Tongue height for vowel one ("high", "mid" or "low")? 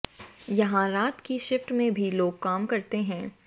low